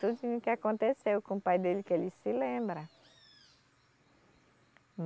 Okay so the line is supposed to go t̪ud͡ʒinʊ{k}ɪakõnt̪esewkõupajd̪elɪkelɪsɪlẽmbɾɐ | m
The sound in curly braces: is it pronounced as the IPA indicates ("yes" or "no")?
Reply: yes